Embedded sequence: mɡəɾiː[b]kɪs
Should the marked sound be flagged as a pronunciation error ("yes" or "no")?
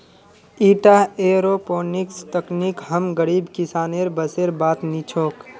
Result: no